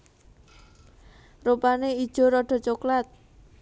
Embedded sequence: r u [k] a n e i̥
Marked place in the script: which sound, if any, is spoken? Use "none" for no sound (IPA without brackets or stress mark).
p